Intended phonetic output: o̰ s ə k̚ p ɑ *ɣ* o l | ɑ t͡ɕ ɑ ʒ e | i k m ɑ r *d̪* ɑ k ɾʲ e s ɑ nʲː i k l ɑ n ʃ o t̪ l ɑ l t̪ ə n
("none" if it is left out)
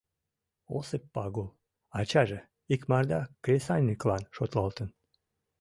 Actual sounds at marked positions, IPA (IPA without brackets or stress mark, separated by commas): ɣ, d̪